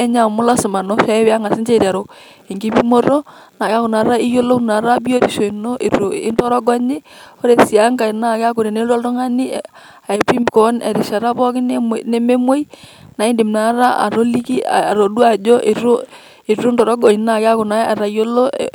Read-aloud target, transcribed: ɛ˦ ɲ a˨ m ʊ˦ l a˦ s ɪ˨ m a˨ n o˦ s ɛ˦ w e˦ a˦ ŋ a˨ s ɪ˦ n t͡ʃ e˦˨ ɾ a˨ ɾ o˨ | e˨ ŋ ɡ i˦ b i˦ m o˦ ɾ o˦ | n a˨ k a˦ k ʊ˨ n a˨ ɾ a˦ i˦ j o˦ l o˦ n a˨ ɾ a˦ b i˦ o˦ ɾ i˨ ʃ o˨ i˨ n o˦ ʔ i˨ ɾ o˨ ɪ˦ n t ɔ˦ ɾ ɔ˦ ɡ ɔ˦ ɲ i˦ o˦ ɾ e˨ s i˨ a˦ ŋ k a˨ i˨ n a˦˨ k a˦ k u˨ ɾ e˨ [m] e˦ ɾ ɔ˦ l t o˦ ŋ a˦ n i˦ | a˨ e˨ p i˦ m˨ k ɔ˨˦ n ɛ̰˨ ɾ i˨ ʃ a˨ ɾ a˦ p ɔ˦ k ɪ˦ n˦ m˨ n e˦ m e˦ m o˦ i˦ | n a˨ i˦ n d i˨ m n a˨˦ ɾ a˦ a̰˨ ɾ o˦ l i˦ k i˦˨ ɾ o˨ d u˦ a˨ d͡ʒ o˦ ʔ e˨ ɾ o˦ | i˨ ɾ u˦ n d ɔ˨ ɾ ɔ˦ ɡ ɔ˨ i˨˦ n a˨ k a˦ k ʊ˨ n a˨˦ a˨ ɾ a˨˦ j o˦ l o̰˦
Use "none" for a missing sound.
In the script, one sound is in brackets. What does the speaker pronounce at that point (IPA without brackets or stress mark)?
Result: n